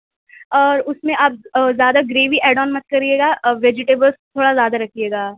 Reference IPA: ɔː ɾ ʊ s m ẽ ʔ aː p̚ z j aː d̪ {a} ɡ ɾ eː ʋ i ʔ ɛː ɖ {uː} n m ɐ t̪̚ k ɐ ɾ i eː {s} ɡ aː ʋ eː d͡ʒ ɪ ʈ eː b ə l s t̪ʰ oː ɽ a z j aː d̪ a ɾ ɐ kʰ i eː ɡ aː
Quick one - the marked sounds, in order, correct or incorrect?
correct, incorrect: ɔː, incorrect: none

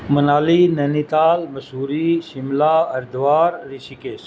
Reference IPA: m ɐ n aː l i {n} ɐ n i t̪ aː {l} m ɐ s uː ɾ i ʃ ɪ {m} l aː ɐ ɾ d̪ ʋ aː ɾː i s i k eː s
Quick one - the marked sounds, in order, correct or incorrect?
correct, correct, correct

